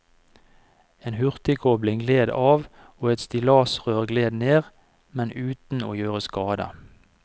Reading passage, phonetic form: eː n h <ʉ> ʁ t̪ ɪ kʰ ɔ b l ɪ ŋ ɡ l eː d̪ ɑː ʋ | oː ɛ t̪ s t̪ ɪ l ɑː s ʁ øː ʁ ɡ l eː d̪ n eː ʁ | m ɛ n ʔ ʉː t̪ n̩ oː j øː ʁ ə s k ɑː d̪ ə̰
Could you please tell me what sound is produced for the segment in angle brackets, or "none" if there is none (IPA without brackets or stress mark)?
ʉ